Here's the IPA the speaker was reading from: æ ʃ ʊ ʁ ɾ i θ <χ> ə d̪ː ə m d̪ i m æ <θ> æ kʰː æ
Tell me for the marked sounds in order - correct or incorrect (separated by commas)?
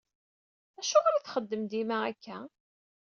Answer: correct, incorrect